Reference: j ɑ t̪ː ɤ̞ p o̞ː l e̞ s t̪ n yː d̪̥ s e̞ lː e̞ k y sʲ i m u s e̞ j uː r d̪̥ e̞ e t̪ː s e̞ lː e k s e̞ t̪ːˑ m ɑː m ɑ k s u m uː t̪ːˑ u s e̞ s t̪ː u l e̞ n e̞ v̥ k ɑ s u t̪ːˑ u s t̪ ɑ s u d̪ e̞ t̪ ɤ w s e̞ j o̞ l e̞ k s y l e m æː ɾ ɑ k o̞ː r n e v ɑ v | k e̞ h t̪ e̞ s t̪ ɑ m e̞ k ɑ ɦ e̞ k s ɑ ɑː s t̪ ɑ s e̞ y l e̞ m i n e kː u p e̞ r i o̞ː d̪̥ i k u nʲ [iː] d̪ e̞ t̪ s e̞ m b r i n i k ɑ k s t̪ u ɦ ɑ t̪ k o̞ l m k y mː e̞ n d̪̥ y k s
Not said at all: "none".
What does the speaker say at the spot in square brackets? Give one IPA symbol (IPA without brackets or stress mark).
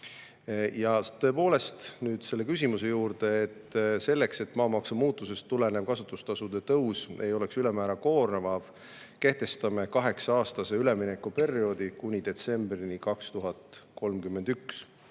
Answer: i